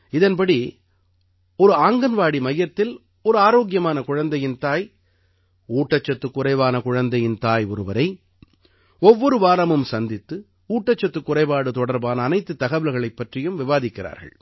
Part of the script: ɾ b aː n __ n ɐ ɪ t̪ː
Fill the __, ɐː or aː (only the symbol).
ɐː